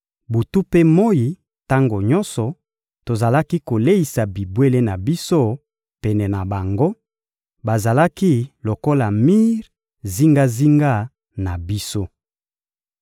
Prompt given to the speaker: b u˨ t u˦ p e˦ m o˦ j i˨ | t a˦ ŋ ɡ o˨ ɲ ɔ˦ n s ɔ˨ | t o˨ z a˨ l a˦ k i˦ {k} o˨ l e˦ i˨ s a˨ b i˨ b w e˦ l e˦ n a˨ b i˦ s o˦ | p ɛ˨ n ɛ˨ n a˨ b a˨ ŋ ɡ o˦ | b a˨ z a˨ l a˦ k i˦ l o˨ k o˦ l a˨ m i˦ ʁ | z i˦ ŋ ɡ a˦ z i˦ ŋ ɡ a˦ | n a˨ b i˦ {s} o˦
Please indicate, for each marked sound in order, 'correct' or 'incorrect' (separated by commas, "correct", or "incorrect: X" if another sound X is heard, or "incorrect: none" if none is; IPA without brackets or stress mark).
correct, correct